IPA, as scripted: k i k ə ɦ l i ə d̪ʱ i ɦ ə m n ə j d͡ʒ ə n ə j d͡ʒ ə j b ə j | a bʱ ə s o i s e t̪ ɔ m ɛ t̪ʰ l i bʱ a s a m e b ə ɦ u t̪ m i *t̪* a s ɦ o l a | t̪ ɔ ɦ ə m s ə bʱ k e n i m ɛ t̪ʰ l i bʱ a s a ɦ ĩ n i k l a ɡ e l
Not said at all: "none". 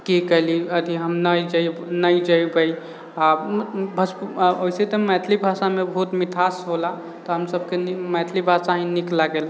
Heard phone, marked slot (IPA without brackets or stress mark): t̪ʰ